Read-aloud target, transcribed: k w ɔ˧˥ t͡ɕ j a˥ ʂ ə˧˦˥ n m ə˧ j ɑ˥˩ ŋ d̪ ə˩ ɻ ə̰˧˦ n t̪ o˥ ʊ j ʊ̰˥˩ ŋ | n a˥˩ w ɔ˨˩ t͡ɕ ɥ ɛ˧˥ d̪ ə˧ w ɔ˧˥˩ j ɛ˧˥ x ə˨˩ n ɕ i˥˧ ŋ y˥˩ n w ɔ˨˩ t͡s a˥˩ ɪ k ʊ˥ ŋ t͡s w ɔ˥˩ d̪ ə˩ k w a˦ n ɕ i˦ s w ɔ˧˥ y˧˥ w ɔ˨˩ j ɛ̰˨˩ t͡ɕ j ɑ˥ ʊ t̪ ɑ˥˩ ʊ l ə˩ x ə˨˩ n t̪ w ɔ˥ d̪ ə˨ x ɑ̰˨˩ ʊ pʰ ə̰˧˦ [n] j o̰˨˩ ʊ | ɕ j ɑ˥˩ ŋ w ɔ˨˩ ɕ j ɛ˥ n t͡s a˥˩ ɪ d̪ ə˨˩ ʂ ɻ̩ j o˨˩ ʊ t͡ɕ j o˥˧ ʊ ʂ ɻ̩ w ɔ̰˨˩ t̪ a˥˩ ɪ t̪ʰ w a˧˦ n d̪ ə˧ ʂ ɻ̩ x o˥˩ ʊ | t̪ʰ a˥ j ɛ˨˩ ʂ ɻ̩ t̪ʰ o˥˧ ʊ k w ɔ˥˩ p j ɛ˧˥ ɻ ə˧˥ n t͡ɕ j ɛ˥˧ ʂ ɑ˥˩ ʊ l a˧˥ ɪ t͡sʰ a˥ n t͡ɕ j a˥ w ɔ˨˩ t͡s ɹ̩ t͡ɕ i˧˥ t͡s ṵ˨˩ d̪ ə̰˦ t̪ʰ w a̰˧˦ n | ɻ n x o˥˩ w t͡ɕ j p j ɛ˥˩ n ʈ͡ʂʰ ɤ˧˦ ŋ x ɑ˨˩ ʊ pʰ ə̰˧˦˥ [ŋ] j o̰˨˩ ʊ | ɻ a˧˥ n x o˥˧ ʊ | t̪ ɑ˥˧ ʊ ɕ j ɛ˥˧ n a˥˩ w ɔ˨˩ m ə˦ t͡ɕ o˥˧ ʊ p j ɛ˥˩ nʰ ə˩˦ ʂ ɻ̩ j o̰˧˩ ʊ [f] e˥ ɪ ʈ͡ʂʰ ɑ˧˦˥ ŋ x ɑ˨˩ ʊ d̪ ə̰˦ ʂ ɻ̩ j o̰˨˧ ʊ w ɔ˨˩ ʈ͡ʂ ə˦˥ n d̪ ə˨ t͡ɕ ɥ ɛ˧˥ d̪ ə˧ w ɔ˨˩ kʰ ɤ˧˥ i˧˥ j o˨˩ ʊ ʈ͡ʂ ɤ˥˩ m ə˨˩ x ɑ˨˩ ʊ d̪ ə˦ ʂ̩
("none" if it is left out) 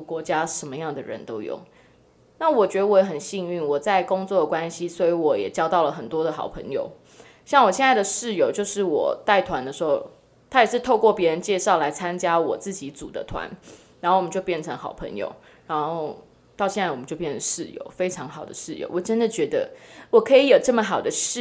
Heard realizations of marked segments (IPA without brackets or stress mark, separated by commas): ŋ, ŋ, f